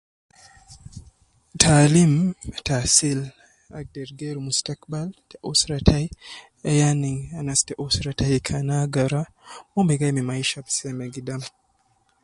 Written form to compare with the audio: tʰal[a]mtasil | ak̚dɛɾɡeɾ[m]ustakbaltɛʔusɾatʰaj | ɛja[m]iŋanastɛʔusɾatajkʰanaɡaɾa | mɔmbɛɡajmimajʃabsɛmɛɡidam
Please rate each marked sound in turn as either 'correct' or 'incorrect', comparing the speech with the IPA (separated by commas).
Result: incorrect, correct, incorrect